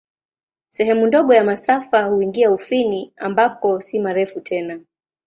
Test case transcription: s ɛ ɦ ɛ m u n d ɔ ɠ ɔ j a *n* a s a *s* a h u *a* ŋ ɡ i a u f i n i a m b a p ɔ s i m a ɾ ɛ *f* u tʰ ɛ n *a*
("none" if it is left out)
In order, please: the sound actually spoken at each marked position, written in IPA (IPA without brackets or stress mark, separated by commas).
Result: m, f, i, f, a